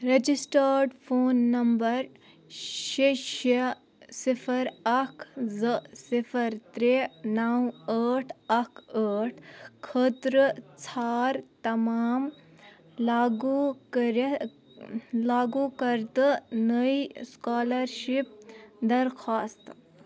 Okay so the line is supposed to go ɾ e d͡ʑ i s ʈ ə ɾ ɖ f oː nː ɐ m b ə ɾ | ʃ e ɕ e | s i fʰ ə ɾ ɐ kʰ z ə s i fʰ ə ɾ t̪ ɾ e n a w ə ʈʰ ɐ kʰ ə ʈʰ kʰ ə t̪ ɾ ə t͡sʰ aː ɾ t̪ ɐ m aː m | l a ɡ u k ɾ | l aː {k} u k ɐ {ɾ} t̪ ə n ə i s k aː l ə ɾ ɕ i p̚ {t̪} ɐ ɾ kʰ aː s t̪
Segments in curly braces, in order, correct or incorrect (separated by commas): incorrect, correct, incorrect